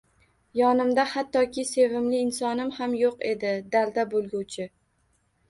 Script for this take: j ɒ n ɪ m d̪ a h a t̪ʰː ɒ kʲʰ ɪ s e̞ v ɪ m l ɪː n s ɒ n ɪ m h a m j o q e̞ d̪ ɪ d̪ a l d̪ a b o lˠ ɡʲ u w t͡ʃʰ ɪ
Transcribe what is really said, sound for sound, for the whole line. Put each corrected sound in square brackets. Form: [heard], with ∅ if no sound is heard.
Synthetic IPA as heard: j ɒ n ɪ m d̪ a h a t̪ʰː ɒ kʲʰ ɪ s e̞ v ɪ m l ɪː n s ɒ n ɪ m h a m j o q e̞ d̪ ɪ d̪ a l d̪ a b o lˠ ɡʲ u w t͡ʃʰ ɪ